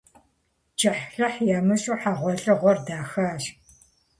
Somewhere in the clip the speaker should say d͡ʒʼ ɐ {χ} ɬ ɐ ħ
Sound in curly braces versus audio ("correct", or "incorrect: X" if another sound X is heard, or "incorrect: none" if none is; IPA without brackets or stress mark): incorrect: ħ